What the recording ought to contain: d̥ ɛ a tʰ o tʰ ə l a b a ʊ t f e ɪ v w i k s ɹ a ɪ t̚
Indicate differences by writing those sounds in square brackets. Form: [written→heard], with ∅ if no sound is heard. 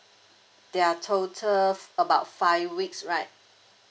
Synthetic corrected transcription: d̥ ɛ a tʰ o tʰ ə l [a→ə] b a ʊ t f [e→a] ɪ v w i k s ɹ a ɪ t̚